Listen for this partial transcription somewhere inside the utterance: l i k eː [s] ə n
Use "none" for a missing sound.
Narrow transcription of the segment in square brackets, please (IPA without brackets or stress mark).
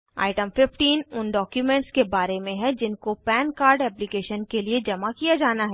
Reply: ʃ